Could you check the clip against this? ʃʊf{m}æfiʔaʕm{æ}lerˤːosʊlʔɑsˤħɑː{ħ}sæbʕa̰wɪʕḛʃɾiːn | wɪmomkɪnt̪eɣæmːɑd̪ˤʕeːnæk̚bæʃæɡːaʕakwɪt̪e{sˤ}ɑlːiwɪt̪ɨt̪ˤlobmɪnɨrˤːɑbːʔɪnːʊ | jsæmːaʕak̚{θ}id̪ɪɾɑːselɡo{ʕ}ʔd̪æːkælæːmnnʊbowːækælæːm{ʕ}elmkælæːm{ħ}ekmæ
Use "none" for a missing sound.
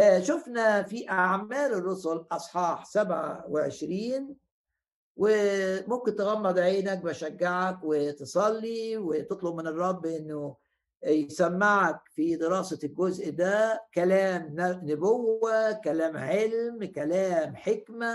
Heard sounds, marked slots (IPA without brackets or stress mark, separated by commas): n, æː, ħ, sˤ, f, z, ʕ, ħ